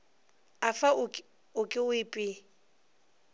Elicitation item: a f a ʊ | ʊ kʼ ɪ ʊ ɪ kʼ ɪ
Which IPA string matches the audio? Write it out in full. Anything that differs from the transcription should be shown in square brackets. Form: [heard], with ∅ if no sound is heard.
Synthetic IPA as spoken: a f a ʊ | ʊ kʼ ɪ ʊ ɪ [pʼ] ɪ